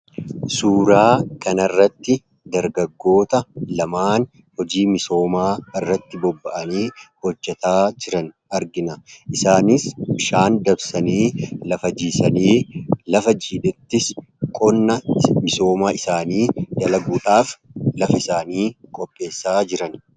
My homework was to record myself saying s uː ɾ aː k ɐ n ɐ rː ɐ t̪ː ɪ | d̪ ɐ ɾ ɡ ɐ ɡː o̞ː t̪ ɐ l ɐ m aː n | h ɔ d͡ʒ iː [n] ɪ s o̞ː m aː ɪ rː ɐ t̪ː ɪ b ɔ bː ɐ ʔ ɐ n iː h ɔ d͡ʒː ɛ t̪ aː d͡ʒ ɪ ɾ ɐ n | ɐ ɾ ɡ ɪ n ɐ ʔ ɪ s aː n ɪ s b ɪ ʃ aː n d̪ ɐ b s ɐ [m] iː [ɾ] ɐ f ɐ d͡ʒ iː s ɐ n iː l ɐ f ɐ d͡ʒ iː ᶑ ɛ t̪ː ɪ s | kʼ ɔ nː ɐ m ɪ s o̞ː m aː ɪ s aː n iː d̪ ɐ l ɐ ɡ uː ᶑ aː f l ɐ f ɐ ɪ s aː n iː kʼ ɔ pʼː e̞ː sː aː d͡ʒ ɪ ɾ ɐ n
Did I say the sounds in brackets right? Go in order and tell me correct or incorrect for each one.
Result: incorrect: m, incorrect: n, incorrect: l

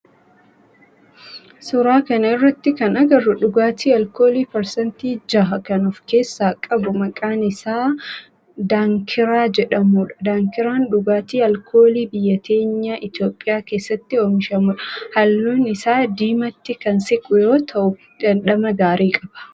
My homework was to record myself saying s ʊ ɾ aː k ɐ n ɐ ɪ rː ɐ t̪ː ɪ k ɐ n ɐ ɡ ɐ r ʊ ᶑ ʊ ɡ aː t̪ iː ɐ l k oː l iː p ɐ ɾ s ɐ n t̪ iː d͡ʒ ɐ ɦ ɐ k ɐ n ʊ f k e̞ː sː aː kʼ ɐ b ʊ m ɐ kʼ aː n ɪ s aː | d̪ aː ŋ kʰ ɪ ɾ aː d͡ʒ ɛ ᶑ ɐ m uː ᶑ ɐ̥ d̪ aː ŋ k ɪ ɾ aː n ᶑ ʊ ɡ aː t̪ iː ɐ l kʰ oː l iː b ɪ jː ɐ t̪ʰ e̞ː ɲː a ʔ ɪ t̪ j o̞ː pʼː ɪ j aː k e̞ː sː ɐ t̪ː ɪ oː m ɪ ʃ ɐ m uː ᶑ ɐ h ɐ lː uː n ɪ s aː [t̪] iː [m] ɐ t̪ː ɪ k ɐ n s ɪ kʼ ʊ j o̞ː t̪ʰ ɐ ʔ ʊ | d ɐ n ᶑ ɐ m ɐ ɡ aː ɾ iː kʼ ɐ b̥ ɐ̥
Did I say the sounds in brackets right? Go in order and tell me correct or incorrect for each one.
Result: incorrect: d̪, correct

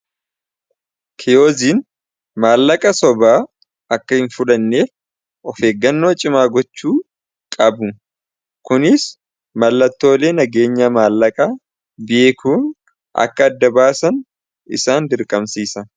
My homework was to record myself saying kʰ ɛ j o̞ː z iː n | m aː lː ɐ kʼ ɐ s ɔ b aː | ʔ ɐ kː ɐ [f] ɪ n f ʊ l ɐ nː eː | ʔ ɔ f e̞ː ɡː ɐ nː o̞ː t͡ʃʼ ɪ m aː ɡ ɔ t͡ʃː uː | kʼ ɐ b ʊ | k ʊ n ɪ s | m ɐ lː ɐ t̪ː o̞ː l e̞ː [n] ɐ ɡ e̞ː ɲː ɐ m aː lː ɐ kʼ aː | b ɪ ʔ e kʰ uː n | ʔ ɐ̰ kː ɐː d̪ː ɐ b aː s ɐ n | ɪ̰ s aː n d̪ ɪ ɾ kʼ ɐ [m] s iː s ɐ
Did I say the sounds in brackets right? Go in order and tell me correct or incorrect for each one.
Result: incorrect: h, correct, correct

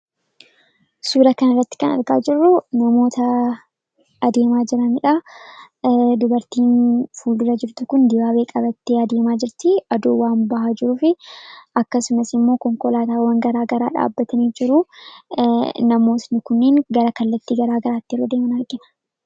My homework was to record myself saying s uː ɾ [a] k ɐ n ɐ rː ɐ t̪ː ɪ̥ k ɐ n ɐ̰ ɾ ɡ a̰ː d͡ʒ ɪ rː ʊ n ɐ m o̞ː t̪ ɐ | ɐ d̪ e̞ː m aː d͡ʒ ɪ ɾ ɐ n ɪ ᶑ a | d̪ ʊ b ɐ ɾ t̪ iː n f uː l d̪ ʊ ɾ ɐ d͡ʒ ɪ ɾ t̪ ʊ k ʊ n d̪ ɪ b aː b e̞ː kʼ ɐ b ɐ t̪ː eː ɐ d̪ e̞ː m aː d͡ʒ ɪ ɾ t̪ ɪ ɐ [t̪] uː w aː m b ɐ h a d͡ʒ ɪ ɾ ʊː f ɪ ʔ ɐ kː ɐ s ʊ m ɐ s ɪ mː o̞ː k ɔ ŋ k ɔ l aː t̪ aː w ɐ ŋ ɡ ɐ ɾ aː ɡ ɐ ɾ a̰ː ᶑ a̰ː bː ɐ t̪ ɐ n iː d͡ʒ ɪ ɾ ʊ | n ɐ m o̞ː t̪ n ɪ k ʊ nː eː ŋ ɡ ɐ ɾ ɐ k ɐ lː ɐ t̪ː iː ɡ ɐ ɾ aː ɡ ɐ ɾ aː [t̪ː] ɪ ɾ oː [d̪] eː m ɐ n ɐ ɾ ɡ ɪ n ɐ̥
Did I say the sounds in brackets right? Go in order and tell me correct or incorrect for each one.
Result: incorrect: ɐ, incorrect: d̪, correct, correct

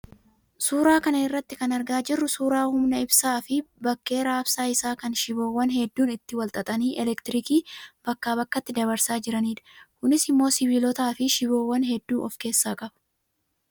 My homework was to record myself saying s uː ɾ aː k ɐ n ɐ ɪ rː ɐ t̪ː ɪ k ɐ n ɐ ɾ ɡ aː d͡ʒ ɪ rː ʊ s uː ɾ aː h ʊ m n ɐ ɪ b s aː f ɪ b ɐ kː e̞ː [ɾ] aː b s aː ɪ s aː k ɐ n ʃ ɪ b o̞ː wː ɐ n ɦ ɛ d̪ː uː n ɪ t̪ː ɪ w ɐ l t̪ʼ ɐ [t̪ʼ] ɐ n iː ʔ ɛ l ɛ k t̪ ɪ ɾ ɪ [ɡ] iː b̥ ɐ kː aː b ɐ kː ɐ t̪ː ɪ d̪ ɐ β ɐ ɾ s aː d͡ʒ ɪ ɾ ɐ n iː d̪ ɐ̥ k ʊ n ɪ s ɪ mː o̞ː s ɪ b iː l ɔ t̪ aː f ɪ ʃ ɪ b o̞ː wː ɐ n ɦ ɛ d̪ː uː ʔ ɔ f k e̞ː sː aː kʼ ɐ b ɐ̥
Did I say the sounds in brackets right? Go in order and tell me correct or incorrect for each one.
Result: correct, correct, incorrect: k

